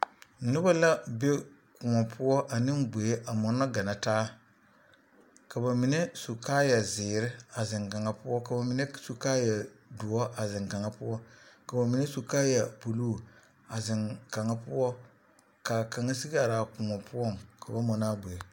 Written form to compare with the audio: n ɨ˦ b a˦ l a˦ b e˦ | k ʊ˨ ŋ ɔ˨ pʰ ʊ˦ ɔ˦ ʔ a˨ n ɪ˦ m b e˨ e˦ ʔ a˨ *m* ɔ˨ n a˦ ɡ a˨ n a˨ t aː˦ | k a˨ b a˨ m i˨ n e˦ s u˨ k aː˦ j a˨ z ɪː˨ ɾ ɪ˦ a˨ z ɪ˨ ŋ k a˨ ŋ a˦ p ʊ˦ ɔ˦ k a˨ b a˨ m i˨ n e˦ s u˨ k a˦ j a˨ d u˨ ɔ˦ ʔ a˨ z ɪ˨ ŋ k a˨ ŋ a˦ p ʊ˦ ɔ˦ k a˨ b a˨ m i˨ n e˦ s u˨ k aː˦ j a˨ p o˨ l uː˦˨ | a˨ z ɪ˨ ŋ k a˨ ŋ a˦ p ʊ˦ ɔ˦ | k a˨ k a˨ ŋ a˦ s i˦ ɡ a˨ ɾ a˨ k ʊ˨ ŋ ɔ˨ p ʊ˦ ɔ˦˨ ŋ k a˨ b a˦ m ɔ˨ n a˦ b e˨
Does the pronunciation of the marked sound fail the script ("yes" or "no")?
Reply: no